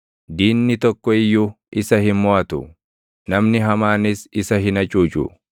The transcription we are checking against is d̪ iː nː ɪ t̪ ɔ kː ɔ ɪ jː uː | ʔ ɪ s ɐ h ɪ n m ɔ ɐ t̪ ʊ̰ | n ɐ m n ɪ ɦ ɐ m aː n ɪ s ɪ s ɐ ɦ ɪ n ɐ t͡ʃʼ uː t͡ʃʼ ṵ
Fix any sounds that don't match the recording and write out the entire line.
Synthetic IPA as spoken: d̪ iː nː ɪ t̪ ɔ kː ɔ ɪ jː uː | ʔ ɪ s ɐ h ɪ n m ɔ ɐ t̪ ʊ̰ | n ɐ m n ɪ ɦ ɐ m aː n ɪ s ɪ s ɐ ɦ ɪ n ɐ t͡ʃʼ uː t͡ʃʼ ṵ